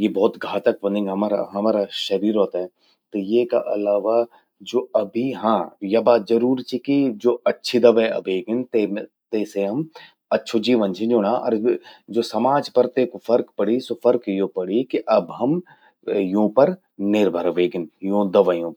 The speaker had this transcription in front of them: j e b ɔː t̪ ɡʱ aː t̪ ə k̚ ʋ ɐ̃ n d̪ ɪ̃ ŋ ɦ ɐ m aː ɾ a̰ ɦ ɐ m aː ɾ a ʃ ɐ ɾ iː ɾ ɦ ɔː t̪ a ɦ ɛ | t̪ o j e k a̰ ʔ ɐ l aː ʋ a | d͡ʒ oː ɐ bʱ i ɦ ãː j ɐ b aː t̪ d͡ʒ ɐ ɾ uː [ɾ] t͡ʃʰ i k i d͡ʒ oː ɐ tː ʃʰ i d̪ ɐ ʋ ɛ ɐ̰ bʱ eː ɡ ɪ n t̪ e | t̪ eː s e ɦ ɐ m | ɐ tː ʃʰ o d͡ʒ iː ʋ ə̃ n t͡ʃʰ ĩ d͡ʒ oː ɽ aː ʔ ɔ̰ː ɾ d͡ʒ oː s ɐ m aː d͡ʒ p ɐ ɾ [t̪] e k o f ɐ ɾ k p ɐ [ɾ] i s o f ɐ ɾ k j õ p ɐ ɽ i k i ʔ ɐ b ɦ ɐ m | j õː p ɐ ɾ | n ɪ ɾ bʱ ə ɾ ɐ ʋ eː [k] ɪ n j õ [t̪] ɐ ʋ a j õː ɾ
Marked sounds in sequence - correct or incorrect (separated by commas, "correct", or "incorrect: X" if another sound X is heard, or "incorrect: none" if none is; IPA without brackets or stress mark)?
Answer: correct, correct, incorrect: ɽ, incorrect: ɡ, incorrect: d̪